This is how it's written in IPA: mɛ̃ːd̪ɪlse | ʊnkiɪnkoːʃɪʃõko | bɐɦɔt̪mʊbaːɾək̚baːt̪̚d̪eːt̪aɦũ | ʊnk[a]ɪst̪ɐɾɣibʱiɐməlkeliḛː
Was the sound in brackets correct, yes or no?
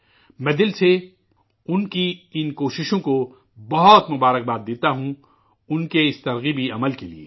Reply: no